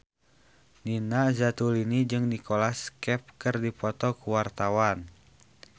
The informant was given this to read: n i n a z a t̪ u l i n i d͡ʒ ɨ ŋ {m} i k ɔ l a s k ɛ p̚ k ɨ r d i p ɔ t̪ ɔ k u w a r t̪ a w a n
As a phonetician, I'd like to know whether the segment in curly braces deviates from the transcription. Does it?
yes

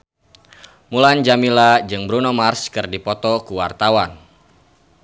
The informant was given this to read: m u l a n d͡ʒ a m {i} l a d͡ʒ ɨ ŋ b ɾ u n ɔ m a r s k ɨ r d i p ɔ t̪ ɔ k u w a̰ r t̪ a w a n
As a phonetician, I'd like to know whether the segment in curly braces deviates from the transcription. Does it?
no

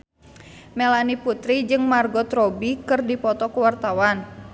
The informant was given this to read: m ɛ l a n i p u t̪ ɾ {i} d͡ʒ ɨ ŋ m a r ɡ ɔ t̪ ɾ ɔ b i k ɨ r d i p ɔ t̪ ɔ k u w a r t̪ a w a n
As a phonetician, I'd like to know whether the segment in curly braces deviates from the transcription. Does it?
no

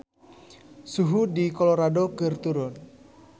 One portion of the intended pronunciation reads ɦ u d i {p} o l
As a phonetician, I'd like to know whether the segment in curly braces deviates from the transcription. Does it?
yes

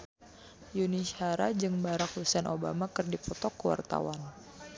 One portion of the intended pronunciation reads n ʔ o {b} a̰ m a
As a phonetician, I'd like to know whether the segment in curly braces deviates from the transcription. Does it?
no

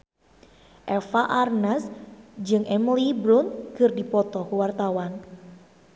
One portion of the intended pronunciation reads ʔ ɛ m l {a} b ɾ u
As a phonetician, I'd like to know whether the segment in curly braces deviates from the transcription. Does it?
yes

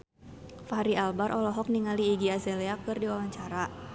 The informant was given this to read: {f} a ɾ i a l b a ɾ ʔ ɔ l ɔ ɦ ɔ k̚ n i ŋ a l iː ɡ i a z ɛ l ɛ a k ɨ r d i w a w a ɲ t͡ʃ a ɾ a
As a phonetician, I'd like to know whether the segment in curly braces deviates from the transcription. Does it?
no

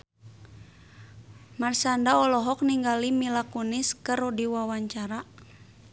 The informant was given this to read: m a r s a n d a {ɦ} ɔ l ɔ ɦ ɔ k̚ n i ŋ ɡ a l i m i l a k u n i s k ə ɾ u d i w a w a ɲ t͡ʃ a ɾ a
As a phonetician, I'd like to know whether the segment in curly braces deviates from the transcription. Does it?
yes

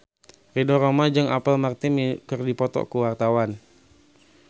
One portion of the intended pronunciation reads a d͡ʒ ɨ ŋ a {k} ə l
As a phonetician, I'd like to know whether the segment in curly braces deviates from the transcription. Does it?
yes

